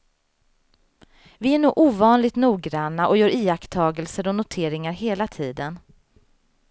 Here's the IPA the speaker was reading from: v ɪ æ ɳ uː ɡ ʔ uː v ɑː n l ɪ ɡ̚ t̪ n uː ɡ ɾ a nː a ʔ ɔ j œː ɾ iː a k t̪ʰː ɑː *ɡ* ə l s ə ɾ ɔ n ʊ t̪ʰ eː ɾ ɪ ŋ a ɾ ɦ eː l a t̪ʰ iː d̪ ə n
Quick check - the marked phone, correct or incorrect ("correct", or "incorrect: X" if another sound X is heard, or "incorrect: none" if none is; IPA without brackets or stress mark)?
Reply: correct